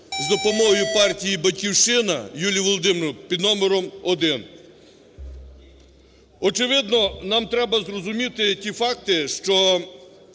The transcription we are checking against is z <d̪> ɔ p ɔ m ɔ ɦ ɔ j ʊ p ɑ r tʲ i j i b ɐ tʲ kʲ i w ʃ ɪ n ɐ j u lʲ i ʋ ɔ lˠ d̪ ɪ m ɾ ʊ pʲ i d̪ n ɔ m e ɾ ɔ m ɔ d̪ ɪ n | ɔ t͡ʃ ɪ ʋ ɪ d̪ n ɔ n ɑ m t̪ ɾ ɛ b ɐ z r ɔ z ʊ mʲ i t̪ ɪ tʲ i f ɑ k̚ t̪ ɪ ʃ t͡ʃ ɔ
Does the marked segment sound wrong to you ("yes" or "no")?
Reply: no